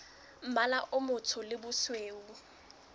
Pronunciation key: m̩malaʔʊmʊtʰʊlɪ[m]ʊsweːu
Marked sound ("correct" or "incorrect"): incorrect